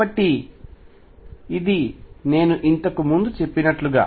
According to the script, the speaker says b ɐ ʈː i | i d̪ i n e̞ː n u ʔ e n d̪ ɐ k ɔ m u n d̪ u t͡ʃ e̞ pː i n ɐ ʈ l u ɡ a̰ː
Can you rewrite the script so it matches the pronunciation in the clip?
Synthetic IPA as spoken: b ɐ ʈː i | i d̪ i n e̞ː n u ʔ i n t̪ ɐ k u m u n d̪ u t͡ʃ e̞ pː i n ɐ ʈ l u ɡ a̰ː